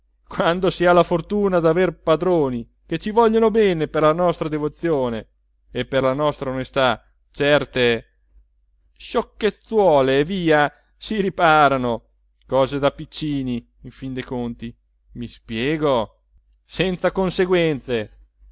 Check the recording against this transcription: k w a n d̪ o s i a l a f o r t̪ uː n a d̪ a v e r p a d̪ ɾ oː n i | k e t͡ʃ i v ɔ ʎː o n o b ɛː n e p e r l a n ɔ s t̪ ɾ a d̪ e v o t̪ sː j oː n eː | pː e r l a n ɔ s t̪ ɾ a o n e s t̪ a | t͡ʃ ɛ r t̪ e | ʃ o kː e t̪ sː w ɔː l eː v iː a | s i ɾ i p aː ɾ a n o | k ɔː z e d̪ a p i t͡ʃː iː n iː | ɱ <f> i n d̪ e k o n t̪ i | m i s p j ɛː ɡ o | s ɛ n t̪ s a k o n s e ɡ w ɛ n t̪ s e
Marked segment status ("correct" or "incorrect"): correct